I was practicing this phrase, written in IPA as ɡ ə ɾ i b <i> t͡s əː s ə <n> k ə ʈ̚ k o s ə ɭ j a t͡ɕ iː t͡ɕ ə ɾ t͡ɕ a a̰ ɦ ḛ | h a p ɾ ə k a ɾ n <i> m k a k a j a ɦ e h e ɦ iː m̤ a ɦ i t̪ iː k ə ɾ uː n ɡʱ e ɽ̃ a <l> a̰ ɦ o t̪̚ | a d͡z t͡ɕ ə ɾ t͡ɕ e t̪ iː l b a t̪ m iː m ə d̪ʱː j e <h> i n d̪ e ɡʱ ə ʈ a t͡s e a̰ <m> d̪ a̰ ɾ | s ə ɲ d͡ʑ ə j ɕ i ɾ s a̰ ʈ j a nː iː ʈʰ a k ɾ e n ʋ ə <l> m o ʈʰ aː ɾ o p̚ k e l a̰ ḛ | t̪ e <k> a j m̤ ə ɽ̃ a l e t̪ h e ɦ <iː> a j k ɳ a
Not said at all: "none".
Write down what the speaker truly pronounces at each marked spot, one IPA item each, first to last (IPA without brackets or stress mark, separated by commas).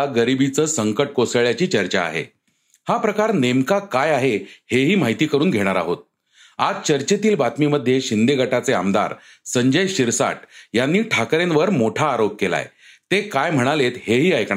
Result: i, ŋ, e, ɾ, ɕ, m, ɾ, k, iː